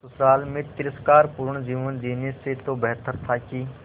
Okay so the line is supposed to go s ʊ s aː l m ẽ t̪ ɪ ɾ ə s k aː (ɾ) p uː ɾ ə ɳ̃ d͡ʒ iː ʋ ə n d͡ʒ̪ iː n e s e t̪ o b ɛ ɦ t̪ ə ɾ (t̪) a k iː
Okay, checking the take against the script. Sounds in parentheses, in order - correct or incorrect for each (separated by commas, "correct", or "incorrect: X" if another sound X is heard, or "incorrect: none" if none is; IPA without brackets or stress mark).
correct, incorrect: t̪ʰ